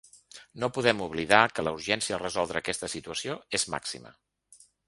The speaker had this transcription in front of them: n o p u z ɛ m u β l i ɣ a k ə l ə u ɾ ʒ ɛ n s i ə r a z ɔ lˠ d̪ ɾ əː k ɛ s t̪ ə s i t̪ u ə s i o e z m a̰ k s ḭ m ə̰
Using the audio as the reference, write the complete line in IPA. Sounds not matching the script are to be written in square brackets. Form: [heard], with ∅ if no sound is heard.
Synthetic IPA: n o p u [ð] ɛ m u β l i [ð] a k ə l ə u ɾ ʒ ɛ n s i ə r [ə] z ɔ lˠ d̪ ɾ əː k ɛ s t̪ ə s i t̪ u ə s i o e z m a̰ k s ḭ m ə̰